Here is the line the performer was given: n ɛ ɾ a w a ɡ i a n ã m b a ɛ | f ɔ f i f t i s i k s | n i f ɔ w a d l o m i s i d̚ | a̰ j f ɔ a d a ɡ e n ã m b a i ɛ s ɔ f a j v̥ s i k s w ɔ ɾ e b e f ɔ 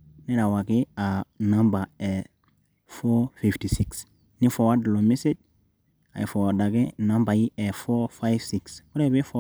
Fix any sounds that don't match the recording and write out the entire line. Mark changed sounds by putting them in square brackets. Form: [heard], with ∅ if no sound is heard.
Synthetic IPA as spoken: n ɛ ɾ a w a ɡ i a n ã m b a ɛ | f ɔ f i f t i s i k s | n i f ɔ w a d l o m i s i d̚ | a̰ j f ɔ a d a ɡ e n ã m b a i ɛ [f] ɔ f a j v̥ s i k s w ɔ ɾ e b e f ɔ